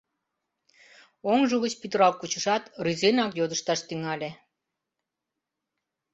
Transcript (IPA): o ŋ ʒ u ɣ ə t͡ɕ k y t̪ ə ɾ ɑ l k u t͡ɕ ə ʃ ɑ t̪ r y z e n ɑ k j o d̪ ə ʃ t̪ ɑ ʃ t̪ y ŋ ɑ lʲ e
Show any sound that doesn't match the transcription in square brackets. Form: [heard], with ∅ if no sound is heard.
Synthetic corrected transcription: o ŋ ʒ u ɣ ə t͡ɕ [p] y t̪ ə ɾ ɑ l k u t͡ɕ ə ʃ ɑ t̪ r y z e n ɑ k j o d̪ ə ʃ t̪ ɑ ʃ t̪ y ŋ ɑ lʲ e